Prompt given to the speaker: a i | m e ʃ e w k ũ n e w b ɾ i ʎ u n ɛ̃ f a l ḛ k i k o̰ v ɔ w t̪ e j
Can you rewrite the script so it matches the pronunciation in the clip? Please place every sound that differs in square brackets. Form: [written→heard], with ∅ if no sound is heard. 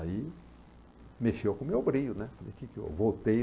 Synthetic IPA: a i | m e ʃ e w k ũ [n→m] e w b ɾ i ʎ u n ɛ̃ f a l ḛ k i k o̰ v [ɔ→o] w t̪ e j